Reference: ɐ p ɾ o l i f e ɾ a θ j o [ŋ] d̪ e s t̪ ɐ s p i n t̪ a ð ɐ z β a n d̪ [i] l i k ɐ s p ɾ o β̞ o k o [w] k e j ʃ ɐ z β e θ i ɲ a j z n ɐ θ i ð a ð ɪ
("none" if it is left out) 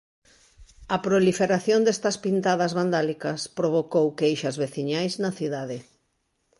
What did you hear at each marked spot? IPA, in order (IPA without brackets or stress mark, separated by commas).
n, a, w